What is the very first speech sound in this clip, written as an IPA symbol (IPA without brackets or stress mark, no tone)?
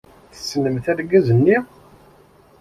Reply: θ